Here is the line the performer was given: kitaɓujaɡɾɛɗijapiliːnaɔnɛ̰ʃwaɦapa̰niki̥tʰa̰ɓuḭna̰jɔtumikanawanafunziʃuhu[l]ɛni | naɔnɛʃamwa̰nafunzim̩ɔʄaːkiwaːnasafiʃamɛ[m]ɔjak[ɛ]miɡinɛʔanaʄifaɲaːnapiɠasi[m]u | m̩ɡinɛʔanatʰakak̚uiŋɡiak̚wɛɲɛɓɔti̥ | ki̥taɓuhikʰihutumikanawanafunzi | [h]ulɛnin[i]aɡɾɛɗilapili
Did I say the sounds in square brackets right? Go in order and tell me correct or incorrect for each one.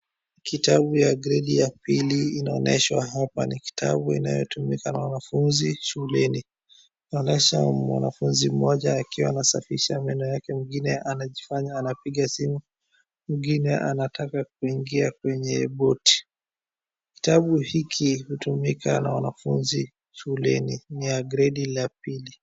correct, incorrect: n, correct, correct, incorrect: ʃ, correct

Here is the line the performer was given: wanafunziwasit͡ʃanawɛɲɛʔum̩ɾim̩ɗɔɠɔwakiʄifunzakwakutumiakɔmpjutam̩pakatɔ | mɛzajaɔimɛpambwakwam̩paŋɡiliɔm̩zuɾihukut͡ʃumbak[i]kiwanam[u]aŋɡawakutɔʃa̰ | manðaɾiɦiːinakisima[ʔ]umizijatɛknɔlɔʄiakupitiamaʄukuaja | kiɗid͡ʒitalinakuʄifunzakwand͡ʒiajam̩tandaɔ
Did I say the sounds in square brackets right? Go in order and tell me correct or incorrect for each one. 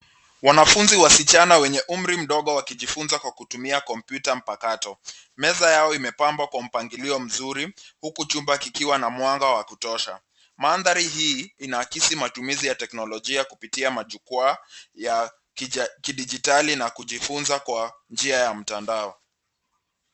correct, incorrect: w, incorrect: t

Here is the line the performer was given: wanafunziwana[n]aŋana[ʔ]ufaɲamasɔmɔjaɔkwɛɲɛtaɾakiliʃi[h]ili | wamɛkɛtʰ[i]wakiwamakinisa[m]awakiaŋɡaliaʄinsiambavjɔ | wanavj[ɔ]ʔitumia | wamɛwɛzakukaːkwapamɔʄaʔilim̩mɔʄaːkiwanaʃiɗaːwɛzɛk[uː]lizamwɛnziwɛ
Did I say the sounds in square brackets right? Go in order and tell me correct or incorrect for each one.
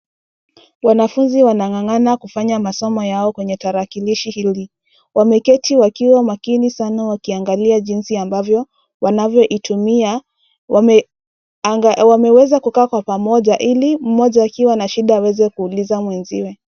incorrect: ŋ, incorrect: k, correct, correct, incorrect: n, correct, correct

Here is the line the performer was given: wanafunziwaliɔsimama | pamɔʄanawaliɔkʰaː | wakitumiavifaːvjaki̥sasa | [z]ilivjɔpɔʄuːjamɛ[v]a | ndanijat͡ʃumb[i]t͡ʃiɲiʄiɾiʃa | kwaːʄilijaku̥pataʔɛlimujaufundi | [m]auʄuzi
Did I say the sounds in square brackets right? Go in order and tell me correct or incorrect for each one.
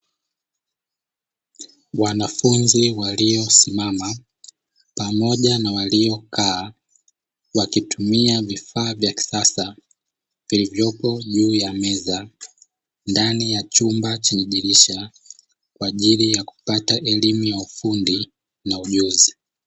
incorrect: v, incorrect: z, incorrect: a, incorrect: n

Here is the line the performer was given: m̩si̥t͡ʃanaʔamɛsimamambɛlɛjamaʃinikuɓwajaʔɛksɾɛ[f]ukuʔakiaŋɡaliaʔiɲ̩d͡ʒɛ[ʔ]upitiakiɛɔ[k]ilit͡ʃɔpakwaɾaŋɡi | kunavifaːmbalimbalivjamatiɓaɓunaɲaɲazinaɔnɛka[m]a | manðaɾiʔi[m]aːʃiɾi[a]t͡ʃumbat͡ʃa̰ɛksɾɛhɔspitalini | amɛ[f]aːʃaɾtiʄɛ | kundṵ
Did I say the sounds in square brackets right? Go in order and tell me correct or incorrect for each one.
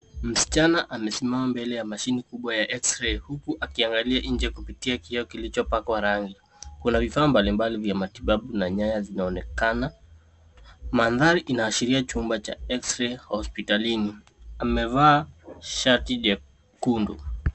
incorrect: h, incorrect: k, correct, incorrect: n, incorrect: n, correct, incorrect: v

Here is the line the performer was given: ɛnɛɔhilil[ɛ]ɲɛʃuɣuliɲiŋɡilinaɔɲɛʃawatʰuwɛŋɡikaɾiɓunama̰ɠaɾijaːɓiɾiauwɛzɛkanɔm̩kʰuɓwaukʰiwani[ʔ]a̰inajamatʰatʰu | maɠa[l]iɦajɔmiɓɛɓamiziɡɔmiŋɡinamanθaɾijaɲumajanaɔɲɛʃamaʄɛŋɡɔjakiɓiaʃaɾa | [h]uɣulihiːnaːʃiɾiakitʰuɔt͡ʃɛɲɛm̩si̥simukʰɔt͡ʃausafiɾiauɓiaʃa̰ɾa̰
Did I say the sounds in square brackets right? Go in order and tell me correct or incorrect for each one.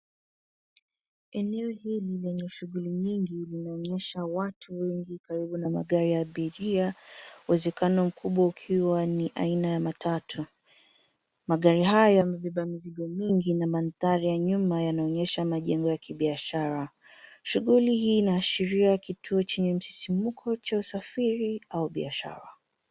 correct, correct, incorrect: ɾ, incorrect: ʃ

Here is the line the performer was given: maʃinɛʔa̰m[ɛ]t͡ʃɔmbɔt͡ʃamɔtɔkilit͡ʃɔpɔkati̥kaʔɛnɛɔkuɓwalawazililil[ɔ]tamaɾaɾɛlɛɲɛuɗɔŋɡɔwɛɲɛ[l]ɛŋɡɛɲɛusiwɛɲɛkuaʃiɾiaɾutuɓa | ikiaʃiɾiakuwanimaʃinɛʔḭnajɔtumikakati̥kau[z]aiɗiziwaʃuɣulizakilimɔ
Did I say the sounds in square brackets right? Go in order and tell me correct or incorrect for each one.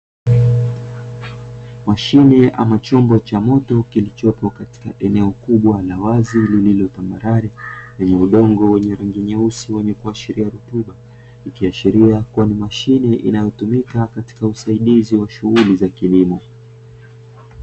incorrect: a, correct, incorrect: ɾ, incorrect: s

